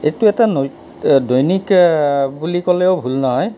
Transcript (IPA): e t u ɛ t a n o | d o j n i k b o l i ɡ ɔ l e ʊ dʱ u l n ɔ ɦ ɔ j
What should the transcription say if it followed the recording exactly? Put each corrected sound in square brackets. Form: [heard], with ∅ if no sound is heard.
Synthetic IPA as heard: e t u ɛ t a n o | d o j n i k b [u] l i [k] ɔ l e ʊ [bʱ] u l n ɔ ɦ ɔ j